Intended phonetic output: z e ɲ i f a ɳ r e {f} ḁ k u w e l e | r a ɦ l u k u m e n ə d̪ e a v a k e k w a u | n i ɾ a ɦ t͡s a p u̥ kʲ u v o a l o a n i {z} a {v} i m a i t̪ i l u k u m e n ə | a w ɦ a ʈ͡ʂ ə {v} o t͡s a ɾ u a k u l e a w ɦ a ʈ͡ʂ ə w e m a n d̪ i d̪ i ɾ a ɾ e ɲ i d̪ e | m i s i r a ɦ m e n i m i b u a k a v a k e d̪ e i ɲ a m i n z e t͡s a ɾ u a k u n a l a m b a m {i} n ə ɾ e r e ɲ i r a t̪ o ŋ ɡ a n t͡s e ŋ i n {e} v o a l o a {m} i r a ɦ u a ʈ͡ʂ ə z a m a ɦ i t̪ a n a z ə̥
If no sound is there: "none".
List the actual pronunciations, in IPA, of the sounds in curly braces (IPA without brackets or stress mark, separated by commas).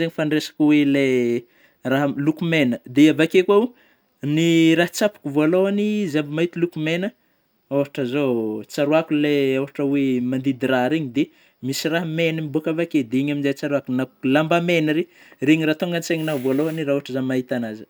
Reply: s, z, b, z, e, a, n